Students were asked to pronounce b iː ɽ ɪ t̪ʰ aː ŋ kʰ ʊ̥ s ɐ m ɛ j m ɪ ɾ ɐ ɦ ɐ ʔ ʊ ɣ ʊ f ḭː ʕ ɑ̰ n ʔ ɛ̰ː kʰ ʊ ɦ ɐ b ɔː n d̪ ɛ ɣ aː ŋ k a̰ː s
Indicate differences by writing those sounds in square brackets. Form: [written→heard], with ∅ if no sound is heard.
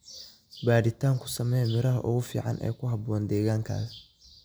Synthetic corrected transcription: b [iː→aː] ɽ ɪ t̪ʰ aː ŋ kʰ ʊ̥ s ɐ m ɛ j m ɪ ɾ ɐ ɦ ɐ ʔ ʊ ɣ ʊ f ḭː ʕ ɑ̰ n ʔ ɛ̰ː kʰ ʊ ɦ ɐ b ɔː n d̪ [ɛ→ɛː] ɣ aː ŋ [k→kʰ] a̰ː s